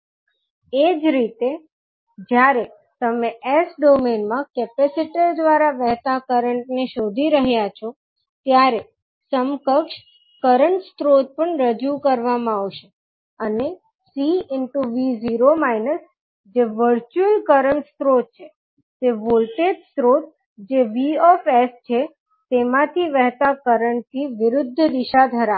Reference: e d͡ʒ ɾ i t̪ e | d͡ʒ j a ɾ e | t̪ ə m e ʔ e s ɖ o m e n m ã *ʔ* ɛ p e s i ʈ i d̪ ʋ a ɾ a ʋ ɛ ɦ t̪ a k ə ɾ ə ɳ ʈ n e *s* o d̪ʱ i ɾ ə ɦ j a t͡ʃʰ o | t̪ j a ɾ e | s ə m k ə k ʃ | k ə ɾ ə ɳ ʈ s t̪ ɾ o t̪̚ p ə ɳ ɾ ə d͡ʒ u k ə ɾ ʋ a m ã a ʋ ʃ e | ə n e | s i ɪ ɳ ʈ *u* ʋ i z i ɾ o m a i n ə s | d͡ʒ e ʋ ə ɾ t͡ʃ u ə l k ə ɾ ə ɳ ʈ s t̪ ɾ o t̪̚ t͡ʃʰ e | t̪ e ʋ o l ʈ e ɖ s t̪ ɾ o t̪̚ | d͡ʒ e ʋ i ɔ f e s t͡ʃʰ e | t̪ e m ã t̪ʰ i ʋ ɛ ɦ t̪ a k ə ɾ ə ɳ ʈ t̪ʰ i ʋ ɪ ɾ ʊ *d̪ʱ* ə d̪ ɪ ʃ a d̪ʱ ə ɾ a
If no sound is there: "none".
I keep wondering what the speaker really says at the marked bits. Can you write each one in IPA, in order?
k, ʃ, u, d̪ʱː

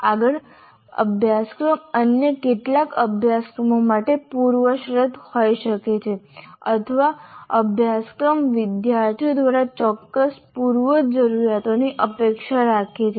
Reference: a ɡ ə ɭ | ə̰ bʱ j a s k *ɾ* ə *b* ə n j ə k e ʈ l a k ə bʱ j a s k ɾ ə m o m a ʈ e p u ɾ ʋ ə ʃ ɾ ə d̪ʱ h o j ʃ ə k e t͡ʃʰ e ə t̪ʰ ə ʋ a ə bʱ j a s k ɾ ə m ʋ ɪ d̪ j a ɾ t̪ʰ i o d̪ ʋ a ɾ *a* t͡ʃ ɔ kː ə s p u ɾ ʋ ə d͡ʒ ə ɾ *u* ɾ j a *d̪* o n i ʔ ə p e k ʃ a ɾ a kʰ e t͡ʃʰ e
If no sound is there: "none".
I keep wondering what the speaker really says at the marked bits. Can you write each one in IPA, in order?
ɾ, m, a, u, t̪

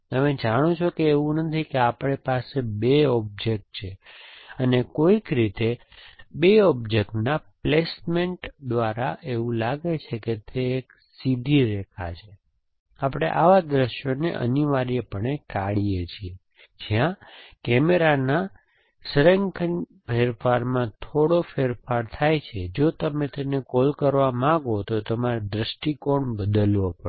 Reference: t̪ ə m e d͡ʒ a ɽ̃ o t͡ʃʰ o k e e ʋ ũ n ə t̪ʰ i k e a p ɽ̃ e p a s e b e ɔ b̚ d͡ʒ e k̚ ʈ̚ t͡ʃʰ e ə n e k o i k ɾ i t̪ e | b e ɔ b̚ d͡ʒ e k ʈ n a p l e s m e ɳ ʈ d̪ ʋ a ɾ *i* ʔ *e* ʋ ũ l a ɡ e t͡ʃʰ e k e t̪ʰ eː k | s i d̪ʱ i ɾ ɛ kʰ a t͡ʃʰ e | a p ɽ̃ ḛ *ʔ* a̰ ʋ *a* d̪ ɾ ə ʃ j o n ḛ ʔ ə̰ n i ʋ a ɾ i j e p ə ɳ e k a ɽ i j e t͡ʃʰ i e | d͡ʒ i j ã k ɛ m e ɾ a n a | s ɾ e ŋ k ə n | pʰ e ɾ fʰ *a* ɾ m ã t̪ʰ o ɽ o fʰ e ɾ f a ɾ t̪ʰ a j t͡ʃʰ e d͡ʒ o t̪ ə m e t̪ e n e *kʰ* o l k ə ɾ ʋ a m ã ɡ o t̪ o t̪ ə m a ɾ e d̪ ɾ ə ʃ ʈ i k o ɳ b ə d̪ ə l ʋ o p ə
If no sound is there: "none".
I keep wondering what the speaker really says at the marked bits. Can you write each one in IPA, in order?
a, e, ʔ, a, a, k

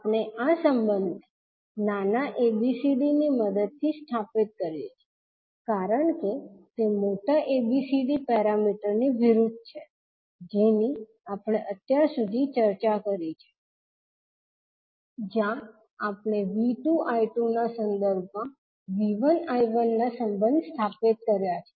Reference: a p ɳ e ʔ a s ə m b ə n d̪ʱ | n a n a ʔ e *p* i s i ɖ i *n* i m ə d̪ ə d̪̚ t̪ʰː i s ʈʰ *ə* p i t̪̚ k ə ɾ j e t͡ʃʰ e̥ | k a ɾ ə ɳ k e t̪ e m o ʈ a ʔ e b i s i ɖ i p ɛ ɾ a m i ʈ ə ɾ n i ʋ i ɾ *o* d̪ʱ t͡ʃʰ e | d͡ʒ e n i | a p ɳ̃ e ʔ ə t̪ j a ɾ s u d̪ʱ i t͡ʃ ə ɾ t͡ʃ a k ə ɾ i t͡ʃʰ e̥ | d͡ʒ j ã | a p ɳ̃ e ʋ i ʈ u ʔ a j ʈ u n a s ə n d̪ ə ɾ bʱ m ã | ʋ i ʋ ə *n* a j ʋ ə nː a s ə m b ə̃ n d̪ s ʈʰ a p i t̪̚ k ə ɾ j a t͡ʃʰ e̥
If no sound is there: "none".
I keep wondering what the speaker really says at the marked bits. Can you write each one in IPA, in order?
b, n, a, u, n

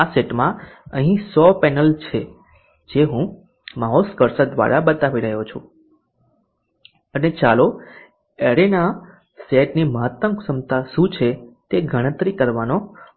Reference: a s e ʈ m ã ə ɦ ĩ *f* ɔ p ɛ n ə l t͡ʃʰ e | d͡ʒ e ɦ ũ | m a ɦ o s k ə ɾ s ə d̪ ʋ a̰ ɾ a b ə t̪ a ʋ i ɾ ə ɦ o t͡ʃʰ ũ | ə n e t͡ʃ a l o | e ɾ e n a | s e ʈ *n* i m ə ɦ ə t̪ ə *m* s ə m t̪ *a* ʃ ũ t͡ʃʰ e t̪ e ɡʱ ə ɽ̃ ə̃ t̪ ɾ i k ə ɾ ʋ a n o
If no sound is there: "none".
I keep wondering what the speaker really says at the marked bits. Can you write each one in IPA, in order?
s, n, m, a

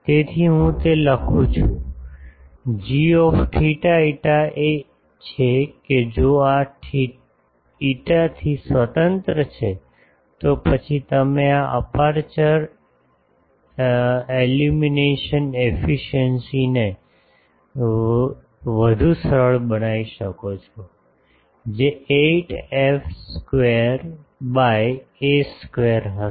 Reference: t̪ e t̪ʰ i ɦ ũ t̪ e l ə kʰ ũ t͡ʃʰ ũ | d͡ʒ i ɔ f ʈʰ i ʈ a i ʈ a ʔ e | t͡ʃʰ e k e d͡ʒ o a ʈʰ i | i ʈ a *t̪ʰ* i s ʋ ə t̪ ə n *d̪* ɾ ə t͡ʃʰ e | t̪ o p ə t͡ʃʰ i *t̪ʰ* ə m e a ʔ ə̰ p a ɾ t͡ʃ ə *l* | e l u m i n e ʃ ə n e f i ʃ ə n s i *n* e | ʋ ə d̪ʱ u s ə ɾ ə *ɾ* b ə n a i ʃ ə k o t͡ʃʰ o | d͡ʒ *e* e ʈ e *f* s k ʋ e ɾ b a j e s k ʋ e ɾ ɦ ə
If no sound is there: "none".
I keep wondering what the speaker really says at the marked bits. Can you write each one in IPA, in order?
t̪ʰ, t̪, t̪, ɾ, n, ɭ, e, f

